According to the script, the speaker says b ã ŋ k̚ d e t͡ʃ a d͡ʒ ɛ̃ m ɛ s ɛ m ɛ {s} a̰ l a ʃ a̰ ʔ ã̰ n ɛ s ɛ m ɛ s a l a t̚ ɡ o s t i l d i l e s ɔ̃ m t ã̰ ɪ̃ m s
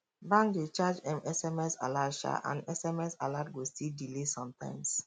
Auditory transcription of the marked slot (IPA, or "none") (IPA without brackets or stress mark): s